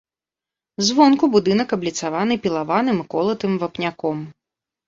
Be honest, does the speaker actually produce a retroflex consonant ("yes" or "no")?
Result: no